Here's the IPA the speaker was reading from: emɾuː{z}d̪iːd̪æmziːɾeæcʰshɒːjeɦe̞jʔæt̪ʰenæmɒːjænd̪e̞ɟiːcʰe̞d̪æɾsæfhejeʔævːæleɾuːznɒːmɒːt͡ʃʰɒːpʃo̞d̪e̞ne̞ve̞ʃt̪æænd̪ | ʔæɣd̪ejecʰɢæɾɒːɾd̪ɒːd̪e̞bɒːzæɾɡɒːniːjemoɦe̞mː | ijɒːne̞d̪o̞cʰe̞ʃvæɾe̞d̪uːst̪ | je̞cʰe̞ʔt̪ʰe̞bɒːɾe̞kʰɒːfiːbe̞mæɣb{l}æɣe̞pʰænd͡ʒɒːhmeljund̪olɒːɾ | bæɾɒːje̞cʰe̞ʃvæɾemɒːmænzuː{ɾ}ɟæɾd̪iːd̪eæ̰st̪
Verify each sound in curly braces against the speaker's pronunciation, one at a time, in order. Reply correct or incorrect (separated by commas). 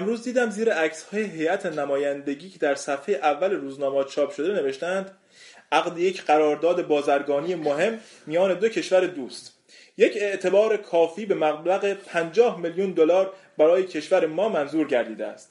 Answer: correct, correct, correct